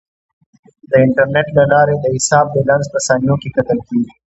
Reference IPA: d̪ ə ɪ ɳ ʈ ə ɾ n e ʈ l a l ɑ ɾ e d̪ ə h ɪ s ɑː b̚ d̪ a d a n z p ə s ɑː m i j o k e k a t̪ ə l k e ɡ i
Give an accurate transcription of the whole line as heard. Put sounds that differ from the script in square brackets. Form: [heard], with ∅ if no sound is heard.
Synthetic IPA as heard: d̪ ə ɪ ɳ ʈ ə ɾ n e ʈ l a l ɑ ɾ e d̪ ə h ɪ s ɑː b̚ d̪ [ə] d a n z p ə s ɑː [n] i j o k e k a t̪ ə l k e ɡ i